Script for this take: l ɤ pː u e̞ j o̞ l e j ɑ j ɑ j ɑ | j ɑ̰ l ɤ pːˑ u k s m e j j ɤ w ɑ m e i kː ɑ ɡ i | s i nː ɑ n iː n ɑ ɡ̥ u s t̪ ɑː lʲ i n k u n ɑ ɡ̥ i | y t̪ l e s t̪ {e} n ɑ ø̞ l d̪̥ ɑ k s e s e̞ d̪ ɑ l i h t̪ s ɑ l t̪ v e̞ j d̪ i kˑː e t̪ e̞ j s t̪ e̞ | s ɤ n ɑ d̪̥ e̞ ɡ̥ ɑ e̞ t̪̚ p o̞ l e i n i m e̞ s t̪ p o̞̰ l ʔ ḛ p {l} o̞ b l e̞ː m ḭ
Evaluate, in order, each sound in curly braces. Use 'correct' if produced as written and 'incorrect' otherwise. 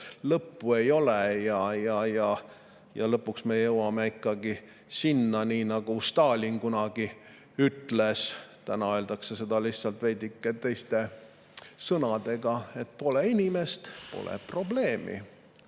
incorrect: æ, incorrect: r

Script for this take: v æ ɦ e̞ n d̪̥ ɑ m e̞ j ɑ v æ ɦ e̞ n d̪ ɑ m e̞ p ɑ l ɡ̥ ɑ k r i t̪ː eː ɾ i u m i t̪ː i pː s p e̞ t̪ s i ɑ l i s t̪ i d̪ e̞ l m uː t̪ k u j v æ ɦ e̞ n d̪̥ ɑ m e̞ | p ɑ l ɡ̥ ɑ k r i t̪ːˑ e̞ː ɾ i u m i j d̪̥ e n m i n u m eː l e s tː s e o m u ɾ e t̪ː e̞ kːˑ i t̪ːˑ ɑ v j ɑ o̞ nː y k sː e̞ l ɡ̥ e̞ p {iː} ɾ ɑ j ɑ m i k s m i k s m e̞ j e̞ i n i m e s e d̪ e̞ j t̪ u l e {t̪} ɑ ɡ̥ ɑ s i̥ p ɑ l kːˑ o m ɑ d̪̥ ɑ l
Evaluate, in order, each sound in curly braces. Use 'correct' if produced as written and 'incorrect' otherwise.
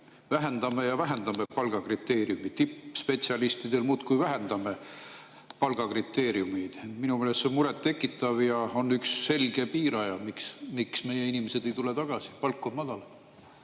correct, correct

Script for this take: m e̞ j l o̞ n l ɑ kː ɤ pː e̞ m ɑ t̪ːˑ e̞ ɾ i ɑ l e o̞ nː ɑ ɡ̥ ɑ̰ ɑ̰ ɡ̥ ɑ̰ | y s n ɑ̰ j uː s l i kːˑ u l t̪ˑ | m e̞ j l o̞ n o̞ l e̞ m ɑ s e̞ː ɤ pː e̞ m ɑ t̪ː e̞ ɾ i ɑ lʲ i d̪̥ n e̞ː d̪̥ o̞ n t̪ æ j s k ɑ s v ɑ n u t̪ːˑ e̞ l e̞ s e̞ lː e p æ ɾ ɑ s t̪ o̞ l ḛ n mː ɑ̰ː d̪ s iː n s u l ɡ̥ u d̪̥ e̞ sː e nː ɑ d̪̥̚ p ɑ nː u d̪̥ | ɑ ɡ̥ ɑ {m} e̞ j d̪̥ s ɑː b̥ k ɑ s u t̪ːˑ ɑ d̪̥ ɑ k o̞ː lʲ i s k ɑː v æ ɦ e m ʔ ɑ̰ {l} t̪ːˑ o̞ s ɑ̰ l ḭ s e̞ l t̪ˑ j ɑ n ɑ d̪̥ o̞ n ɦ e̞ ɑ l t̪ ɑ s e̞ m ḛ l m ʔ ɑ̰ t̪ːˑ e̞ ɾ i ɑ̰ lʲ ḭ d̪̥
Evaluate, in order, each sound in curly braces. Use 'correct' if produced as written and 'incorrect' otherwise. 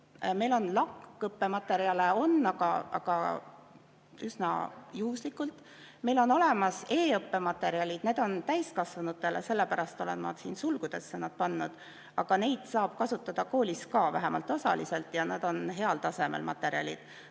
incorrect: n, correct

